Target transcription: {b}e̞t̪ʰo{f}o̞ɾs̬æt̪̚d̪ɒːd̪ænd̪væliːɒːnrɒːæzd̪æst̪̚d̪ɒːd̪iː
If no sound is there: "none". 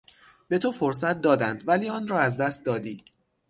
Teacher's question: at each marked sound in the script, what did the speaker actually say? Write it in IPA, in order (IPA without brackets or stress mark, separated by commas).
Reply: b, f